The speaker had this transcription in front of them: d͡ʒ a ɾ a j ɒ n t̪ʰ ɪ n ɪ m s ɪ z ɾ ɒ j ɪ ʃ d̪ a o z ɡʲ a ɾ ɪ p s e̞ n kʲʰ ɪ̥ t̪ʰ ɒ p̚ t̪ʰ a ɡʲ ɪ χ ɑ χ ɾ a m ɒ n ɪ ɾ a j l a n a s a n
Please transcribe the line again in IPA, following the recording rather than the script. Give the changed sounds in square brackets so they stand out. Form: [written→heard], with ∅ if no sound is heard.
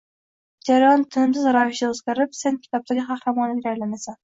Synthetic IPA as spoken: d͡ʒ a ɾ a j ɒ n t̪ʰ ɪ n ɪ m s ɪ z ɾ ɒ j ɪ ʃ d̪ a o z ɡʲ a ɾ ɪ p s e̞ n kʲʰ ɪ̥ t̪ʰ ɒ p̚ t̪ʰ a ɡʲ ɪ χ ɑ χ ɾ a m ɒ n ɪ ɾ a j l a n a s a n